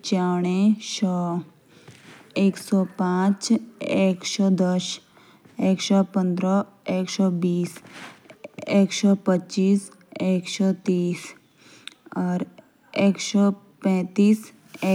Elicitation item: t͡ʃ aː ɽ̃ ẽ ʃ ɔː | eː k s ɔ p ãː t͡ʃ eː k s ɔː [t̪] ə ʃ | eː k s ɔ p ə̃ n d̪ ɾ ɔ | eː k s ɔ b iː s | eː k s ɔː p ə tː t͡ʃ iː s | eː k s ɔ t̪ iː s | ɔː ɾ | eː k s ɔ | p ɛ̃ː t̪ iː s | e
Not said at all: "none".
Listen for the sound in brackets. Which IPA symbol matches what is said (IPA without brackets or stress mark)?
d̪